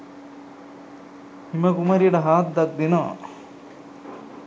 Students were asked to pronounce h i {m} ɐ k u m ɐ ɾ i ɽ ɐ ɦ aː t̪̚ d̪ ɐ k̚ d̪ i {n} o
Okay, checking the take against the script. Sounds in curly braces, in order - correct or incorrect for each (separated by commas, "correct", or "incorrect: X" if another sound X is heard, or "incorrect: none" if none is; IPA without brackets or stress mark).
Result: correct, correct